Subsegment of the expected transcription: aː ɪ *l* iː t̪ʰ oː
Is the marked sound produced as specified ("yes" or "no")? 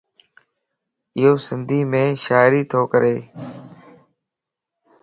no